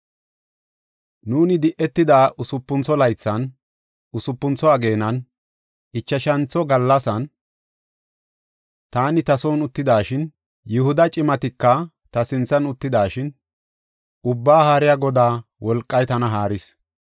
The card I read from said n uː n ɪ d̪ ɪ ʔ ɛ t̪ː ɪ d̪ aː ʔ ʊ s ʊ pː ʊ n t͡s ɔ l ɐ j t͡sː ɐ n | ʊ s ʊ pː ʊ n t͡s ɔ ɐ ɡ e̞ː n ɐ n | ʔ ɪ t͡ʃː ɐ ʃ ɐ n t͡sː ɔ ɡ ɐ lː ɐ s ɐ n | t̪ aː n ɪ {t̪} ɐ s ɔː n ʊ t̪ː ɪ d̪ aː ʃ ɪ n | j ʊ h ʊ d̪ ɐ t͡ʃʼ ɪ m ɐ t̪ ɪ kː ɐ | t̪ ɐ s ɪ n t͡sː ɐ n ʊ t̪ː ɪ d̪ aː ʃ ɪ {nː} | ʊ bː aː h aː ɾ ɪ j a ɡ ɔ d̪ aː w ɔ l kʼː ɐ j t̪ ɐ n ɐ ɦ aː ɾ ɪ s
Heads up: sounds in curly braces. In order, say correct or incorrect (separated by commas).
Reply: correct, incorrect